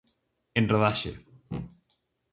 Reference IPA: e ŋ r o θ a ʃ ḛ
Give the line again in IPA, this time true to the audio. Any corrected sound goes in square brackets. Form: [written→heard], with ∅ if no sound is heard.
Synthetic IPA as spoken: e [ŋ→n] r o [θ→ð] a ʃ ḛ